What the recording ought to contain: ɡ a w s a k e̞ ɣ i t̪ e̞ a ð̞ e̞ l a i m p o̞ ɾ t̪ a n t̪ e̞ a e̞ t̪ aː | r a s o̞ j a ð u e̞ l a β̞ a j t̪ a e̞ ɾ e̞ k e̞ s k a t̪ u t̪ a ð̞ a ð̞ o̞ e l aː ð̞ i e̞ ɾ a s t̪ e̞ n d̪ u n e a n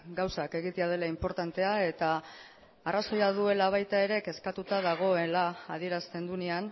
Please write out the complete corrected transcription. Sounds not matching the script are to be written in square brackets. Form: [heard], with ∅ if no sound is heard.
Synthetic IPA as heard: ɡ a w s a k e̞ ɣ i t̪ e̞ a ð̞ e̞ l a i m p o̞ ɾ t̪ a n t̪ e̞ a e̞ t̪ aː | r a s o̞ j a ð u e̞ l a β̞ a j t̪ a e̞ ɾ e̞ k e̞ s k a t̪ u t̪ a ð̞ a [ɣ̞] o̞ e l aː ð̞ i e̞ ɾ a s t̪ e̞ n d̪ u n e a n

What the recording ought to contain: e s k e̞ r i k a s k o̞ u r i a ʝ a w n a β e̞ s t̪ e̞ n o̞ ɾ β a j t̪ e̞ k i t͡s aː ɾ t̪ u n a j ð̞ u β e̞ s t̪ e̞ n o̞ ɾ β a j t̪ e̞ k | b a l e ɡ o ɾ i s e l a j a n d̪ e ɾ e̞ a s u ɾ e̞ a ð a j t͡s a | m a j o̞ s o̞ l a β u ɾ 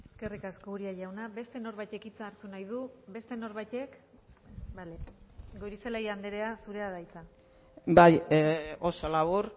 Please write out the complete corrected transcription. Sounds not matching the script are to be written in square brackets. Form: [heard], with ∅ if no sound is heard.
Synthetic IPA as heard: e s k e̞ r i k a s k o̞ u [ɾ] i a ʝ a w n a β e̞ s t̪ e̞ n o̞ ɾ β a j t̪ e̞ k i t͡s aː ɾ t̪ u n a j ð̞ u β e̞ s t̪ e̞ n o̞ ɾ β a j t̪ e̞ k | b a l e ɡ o ɾ i s e l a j a n d̪ e ɾ e̞ a s u ɾ e̞ a ð a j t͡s a | [b] a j o̞ s o̞ l a β u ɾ

